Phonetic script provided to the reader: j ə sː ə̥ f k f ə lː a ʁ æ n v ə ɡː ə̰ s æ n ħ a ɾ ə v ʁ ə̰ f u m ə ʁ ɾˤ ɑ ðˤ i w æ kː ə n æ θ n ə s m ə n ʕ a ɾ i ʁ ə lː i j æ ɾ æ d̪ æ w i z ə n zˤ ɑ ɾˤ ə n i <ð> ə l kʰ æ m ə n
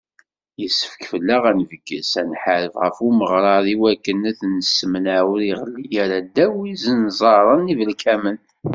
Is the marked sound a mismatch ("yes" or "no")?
yes